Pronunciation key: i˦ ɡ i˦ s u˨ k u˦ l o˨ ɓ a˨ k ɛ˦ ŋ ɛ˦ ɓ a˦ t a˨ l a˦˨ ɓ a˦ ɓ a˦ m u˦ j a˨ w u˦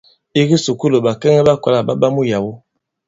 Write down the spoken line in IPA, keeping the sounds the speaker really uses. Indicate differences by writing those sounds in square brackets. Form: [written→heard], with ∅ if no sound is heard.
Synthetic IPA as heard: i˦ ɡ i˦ s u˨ k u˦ l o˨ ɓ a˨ k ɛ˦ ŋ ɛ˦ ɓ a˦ [t→k] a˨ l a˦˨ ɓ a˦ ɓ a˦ m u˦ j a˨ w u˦

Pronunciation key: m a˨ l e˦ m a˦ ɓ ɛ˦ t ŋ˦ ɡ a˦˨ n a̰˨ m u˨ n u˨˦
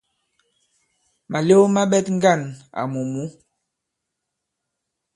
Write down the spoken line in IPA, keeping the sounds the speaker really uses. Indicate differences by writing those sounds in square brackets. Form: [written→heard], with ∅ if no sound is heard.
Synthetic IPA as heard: m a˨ l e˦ m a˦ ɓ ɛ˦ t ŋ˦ ɡ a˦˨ n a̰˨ m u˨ [n→m] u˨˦

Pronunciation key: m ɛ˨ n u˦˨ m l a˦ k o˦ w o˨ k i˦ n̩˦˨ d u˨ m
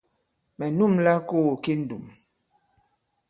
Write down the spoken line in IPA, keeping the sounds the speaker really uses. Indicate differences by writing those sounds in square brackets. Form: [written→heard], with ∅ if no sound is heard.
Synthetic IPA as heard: m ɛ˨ n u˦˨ m l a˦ k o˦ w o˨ k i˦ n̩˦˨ d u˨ m

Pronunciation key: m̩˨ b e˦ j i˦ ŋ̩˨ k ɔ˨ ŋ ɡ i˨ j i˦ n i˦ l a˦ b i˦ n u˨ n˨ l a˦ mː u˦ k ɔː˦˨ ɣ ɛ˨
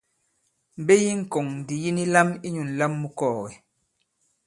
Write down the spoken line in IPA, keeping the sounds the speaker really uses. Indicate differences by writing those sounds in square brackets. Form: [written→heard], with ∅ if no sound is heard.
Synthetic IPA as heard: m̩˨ b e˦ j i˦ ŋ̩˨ k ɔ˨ ŋ [ɡ→d] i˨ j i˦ n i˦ l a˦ [b→m] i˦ [n→ɲ] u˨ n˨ l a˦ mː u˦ k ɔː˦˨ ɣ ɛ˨

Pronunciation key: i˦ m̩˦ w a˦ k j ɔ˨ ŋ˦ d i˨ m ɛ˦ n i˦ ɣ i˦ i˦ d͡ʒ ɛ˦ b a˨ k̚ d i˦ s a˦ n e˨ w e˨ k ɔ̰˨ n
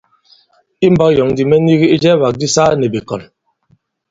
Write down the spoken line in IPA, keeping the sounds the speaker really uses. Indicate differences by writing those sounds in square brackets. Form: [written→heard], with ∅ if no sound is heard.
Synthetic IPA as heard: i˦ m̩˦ [w→b] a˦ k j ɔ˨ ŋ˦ d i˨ m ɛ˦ n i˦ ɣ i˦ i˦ d͡ʒ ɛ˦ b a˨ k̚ d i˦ s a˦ n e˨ [w→b] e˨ k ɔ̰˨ n

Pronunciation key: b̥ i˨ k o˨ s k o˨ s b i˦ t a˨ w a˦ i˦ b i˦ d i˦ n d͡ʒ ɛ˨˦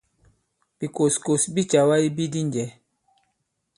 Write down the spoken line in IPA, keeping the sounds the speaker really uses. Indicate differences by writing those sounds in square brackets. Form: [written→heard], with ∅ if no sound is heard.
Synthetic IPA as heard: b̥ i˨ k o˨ s k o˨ s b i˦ [t→t͡ʃ] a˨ w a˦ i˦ b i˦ d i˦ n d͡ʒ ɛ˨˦

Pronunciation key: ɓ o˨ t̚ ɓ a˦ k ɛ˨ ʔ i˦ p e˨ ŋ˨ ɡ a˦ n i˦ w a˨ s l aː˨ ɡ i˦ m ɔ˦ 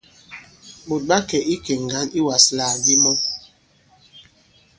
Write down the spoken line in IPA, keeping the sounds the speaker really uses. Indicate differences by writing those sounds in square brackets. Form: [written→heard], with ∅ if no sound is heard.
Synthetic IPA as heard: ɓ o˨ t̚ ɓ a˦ k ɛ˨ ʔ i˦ [p→k] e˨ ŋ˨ ɡ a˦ n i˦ w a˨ s l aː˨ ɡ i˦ m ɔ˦

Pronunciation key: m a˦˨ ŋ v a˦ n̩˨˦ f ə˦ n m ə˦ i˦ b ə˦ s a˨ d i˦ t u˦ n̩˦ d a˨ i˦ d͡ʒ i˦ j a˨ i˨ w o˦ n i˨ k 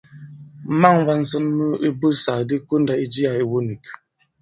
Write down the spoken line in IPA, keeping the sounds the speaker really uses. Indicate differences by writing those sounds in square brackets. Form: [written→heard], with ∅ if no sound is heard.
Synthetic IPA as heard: m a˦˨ ŋ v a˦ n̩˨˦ [f→s] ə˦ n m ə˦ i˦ b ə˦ s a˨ d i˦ [t→k] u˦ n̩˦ d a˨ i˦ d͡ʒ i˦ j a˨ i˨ w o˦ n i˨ k

